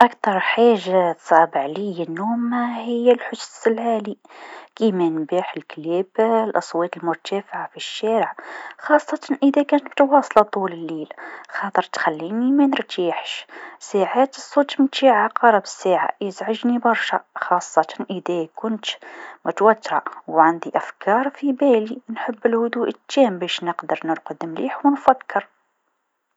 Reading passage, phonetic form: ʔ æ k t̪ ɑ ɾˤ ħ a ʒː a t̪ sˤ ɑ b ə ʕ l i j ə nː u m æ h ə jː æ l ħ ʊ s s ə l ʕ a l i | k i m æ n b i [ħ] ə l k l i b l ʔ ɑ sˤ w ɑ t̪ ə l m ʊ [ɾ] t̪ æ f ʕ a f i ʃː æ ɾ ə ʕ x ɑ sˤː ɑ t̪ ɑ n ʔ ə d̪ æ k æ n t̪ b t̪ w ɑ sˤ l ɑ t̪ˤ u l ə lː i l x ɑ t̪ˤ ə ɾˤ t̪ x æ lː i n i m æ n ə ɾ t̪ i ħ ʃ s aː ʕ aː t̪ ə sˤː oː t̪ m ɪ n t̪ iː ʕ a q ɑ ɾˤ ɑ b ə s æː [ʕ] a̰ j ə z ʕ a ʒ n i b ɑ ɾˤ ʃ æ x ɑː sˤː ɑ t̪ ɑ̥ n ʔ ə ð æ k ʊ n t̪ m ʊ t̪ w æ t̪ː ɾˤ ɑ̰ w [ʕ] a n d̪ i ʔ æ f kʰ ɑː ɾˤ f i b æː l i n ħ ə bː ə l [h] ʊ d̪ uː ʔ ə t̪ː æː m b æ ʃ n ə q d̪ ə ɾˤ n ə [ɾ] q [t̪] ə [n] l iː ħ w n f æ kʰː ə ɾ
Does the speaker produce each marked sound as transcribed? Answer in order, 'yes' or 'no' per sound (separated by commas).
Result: yes, yes, yes, yes, yes, yes, no, no